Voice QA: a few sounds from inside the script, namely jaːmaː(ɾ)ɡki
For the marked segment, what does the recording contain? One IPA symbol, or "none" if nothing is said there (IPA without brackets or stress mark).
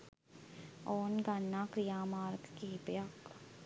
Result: ɾ